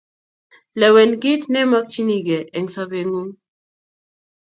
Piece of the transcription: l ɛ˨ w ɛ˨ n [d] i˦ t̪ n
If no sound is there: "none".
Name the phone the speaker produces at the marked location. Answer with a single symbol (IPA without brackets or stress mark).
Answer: ɡ